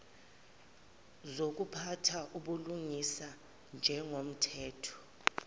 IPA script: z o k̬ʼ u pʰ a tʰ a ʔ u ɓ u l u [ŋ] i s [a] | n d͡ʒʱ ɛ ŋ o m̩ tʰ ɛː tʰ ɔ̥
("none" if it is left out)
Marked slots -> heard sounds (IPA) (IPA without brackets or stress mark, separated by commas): ŋ, a